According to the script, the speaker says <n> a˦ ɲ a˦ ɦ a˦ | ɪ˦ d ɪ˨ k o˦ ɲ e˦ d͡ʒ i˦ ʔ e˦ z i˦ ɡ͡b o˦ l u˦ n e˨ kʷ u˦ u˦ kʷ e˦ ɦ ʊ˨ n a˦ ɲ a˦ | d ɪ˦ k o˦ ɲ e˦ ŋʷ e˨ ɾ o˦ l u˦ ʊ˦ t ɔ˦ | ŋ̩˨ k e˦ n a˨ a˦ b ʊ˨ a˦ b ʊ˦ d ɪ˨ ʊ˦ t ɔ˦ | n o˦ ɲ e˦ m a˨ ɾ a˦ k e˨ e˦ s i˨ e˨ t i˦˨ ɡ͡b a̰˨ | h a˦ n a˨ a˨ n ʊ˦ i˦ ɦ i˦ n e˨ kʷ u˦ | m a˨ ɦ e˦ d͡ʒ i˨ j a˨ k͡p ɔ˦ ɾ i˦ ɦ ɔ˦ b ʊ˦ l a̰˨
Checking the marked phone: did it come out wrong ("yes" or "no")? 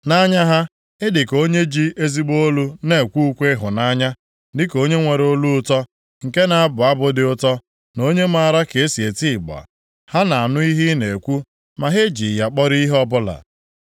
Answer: no